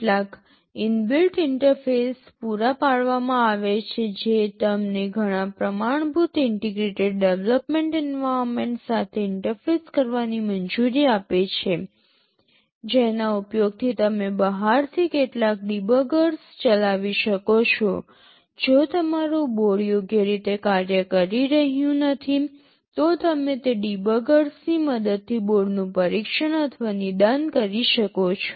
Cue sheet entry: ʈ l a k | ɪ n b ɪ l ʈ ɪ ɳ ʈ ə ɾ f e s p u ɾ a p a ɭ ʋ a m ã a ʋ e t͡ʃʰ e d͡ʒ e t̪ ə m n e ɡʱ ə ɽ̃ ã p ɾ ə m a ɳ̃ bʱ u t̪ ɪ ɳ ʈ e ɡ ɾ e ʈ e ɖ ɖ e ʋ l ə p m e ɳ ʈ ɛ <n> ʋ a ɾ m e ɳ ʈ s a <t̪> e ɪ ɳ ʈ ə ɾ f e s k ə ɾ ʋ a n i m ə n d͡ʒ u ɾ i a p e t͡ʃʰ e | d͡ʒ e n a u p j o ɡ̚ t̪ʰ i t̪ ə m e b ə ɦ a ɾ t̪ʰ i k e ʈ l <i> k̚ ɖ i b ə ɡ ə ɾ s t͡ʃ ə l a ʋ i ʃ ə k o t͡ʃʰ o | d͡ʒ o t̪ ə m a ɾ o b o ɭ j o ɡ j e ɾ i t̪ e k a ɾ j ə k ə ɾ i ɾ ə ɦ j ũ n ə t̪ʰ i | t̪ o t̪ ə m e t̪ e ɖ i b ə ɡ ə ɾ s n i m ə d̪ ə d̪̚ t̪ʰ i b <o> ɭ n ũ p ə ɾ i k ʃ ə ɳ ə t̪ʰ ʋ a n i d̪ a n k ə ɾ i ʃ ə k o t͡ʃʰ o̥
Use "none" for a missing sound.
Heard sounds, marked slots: n, t̪ʰ, a, o

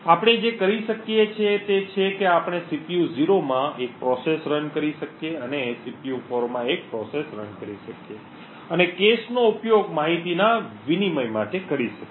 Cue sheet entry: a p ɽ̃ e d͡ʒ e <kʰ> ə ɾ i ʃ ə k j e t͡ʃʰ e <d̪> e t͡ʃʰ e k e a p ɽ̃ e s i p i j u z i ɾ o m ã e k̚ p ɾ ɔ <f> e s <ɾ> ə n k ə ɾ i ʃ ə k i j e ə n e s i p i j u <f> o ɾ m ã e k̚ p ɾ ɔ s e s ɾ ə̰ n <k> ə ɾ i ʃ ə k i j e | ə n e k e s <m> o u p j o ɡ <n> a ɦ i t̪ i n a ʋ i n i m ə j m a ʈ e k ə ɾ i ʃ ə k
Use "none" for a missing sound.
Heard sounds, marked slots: k, t̪, s, ɾ, f, k, n, m

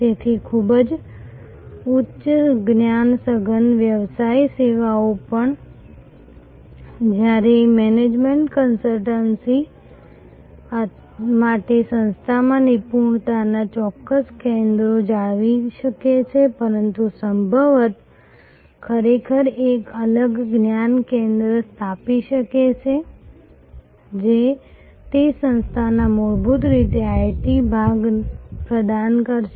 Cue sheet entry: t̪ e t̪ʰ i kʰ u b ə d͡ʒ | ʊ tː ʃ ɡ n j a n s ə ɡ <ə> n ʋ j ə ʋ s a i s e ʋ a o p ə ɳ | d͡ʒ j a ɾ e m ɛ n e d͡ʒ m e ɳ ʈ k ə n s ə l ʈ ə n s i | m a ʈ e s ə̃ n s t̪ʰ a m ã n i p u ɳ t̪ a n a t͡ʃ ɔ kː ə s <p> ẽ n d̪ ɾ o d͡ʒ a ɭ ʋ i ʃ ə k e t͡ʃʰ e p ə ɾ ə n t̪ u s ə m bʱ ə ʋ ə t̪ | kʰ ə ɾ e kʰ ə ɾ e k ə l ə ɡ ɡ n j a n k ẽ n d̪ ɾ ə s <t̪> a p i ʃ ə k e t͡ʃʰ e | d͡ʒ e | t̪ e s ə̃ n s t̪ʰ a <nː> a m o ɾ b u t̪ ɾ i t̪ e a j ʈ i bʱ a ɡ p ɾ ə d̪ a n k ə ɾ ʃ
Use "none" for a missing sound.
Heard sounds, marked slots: ə, k, t̪ʰ, n

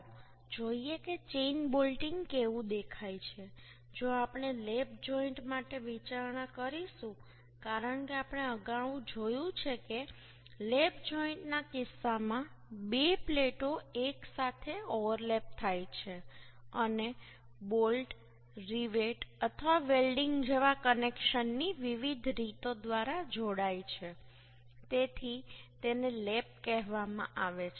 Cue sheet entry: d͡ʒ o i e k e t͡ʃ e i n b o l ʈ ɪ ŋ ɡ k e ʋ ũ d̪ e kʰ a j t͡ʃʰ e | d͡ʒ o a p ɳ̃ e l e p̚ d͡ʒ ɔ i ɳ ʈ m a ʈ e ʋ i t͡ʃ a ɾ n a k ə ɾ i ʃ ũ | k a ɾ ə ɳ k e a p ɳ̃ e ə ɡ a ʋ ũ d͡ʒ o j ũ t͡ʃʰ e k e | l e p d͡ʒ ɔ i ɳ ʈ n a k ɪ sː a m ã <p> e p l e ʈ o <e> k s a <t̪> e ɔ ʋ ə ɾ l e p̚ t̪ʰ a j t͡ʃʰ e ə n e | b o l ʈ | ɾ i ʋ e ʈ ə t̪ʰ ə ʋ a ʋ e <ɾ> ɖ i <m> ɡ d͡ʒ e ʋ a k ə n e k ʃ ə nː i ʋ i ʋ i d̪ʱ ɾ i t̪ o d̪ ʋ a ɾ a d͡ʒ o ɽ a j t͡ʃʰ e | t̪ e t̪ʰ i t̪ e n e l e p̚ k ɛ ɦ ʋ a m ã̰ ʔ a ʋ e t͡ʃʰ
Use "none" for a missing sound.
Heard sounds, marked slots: b, e, t̪ʰ, l, ŋ

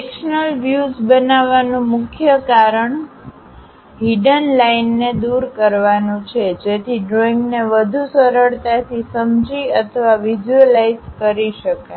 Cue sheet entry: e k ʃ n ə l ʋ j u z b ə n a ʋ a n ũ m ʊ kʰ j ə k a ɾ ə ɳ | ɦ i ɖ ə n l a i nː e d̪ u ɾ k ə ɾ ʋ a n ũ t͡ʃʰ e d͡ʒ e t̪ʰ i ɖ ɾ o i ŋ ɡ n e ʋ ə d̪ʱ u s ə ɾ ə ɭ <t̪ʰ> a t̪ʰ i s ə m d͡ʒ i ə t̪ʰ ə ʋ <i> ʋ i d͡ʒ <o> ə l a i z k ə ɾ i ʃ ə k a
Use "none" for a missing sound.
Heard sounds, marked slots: t̪, a, u

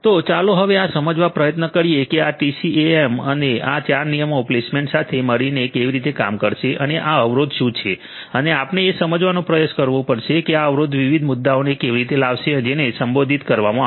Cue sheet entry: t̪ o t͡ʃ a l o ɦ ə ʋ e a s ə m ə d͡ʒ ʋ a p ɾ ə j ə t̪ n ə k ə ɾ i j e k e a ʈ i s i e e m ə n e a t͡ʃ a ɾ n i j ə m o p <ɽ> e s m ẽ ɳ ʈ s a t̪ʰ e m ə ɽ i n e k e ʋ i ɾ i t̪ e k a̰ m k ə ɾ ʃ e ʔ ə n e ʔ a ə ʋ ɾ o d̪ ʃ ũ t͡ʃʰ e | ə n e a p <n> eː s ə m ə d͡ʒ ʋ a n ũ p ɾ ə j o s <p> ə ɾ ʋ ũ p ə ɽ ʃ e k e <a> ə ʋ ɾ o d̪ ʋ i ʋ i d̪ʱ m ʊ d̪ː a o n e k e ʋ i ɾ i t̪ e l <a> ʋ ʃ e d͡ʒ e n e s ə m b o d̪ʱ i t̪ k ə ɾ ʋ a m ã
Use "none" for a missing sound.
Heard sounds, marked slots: l, n, k, a, a

